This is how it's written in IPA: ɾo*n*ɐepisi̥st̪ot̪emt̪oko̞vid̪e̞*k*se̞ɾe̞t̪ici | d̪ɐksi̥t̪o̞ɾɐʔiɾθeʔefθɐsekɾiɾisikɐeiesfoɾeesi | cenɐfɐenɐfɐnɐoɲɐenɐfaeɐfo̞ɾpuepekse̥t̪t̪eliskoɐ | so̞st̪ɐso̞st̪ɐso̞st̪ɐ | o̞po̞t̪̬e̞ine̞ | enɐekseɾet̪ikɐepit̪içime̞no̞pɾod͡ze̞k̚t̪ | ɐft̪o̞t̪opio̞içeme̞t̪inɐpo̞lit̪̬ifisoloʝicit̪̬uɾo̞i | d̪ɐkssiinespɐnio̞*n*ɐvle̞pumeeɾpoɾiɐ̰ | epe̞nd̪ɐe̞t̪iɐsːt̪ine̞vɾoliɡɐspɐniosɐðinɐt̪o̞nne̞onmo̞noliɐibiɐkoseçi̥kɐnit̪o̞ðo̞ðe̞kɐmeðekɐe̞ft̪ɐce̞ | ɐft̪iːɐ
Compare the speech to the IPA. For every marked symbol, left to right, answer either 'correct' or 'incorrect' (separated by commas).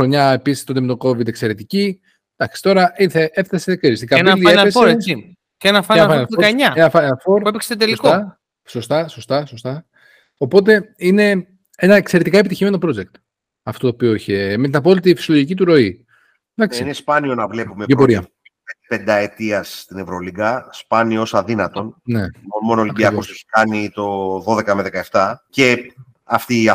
incorrect, correct, correct